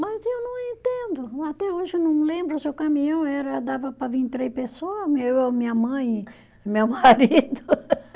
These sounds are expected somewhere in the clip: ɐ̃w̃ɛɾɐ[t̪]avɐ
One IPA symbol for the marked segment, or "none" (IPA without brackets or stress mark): d̪